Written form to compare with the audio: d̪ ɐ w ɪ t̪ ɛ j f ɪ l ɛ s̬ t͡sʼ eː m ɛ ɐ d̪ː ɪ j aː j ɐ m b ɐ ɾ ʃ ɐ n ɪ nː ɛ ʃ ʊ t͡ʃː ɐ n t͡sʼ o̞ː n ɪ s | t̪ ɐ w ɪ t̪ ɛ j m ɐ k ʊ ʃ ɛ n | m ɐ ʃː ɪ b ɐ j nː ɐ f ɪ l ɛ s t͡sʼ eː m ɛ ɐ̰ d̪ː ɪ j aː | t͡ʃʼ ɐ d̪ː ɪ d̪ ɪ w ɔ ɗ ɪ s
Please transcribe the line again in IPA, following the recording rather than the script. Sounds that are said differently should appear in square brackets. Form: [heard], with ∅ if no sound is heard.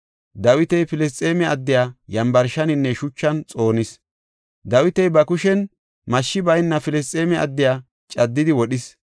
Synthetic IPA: d̪ ɐ w ɪ t̪ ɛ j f ɪ l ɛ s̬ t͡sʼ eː m ɛ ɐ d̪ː ɪ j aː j ɐ m b ɐ ɾ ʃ ɐ n ɪ nː ɛ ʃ ʊ t͡ʃː ɐ n t͡sʼ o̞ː n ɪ s | [d̪] ɐ w ɪ t̪ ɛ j [b] ɐ k ʊ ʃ ɛ n | m ɐ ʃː ɪ b ɐ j nː ɐ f ɪ l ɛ s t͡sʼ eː m ɛ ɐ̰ d̪ː ɪ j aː | t͡ʃʼ ɐ d̪ː ɪ d̪ ɪ w ɔ ɗ ɪ s